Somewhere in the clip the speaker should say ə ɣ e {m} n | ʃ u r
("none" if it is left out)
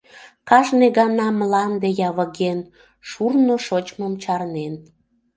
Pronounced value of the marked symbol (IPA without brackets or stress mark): none